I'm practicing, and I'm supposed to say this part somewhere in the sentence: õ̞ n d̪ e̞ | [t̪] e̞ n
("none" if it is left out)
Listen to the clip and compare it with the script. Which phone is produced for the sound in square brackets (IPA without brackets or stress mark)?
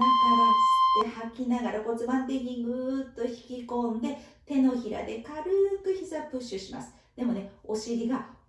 t̪